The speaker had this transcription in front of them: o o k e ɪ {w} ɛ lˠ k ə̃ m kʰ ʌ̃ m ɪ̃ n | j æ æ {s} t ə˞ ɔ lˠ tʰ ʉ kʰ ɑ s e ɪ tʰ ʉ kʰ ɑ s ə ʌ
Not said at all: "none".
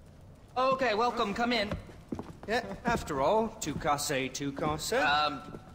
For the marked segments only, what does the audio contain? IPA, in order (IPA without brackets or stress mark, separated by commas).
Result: w, f